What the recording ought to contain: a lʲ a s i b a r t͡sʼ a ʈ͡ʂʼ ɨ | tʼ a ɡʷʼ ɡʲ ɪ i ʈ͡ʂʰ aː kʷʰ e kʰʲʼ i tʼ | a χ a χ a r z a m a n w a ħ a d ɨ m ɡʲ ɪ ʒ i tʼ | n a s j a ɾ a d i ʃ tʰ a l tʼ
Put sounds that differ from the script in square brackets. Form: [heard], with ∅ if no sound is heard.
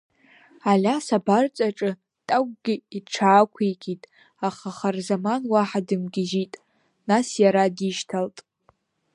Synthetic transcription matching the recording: a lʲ a s [a] b a r t͡sʼ a ʈ͡ʂʼ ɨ | tʼ a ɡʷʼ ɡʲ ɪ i ʈ͡ʂʰ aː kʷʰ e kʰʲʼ i tʼ | a χ a χ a r z a m a n w a ħ a d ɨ m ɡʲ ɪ ʒ i tʼ | n a s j a ɾ a d i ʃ tʰ a l tʼ